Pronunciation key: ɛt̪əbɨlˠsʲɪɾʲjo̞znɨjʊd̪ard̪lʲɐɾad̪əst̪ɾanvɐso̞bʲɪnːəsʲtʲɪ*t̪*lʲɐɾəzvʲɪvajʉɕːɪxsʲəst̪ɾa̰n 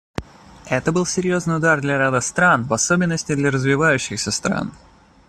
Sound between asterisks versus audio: incorrect: d̪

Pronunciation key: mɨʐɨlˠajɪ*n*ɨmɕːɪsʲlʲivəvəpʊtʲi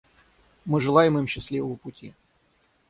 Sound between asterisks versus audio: incorrect: m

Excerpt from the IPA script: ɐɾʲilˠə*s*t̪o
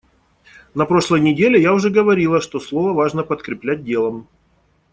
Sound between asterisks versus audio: incorrect: ʂ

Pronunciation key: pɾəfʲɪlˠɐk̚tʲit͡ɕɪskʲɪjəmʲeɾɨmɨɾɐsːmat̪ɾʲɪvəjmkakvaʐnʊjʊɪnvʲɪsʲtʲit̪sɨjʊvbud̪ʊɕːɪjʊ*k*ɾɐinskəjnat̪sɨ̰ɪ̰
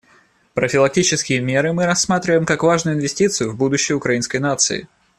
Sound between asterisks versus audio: correct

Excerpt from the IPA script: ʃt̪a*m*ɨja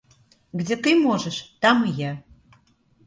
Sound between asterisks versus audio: correct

